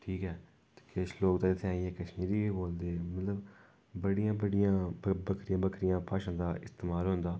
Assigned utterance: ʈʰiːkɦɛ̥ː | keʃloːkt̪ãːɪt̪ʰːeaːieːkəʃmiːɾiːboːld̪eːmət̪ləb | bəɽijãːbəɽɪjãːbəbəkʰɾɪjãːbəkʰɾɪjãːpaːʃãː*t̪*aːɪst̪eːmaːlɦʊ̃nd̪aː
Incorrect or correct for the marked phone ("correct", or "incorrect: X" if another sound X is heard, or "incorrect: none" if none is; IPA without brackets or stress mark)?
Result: incorrect: d̪